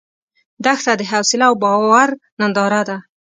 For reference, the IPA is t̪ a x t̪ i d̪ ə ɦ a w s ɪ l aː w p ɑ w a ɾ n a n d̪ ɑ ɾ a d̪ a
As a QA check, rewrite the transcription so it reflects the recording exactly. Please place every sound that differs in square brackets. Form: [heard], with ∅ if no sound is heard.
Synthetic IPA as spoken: [d̪] a x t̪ [a] d̪ ə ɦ a w s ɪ l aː w [b] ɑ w a ɾ n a n d̪ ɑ ɾ a d̪ a